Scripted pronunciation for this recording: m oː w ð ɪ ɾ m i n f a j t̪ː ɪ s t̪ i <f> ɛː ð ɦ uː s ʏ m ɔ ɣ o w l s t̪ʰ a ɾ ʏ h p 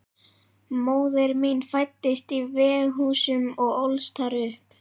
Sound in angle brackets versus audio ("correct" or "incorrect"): incorrect